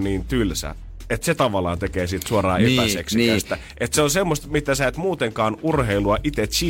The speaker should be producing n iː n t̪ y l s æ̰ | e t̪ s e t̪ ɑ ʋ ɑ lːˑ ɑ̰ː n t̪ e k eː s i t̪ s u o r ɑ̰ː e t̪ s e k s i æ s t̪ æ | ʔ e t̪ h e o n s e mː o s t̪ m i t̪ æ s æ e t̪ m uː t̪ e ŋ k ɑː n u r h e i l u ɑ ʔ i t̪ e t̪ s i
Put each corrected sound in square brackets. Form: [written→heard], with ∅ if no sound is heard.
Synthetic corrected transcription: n iː n t̪ y l s æ̰ | e t̪ s e t̪ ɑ ʋ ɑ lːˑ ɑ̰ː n t̪ e k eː s i t̪ s u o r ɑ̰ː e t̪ s e k s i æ s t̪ æ | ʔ e t̪ [h→s] e o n s e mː o s t̪ m i t̪ æ s æ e t̪ m uː t̪ e ŋ k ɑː n u r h e i l u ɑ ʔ i t̪ e t̪ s i